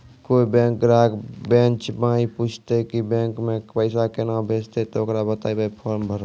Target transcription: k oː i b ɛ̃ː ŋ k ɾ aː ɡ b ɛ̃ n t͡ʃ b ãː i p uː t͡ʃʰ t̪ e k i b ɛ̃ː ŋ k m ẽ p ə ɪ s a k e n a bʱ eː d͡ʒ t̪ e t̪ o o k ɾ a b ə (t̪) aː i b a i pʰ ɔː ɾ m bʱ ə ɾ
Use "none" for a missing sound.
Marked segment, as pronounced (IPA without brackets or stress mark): t̪